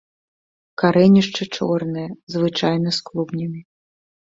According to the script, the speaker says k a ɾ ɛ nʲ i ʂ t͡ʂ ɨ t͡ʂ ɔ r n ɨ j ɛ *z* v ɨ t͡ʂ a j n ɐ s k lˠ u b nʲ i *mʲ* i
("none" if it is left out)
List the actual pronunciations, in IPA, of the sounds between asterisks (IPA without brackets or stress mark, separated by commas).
z, mʲ